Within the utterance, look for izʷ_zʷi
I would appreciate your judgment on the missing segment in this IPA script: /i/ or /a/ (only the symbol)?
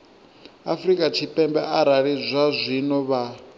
a